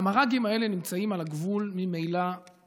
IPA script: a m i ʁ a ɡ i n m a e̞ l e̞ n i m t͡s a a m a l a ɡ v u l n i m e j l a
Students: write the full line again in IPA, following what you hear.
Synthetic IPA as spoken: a m a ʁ a ɡ i m a e̞ l e̞ n i m t͡s a i m a l a ɡ v u l m i m e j l a